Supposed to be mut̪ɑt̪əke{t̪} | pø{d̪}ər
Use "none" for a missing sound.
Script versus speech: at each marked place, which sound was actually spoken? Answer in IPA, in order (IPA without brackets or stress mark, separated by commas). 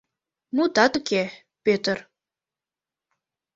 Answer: none, t̪